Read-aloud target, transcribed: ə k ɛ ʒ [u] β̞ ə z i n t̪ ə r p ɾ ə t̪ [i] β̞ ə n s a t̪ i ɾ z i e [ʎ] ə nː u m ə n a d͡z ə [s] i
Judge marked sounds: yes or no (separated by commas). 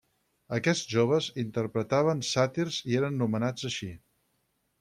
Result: no, no, no, no